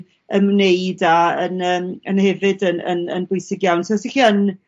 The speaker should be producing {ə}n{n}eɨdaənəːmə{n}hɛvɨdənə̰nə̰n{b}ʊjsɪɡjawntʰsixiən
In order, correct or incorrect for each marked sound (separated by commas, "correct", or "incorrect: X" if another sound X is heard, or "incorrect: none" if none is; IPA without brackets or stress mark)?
correct, correct, correct, correct